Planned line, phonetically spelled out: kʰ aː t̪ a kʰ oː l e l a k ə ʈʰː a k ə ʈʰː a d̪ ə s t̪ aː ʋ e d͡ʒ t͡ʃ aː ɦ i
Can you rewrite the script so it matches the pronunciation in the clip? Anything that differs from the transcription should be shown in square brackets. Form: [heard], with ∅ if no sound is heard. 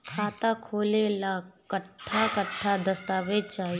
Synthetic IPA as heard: kʰ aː t̪ a kʰ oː l e l a k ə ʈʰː a k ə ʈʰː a d̪ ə s t̪ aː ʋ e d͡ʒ t͡ʃ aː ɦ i